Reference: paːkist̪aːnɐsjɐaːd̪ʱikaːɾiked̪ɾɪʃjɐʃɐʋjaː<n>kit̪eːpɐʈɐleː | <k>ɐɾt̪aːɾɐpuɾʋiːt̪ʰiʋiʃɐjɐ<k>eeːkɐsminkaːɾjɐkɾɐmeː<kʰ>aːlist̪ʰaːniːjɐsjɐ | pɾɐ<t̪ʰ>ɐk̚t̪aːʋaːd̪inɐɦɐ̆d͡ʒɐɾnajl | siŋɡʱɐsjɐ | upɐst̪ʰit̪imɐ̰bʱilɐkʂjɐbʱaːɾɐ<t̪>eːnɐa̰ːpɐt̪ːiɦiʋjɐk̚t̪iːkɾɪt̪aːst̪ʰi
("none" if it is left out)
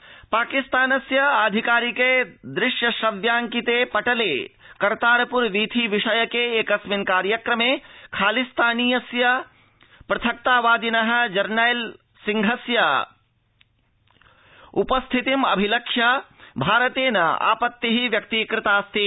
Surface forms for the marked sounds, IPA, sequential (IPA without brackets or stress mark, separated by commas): ŋ, k, k, kʰ, t̪ʰ, t̪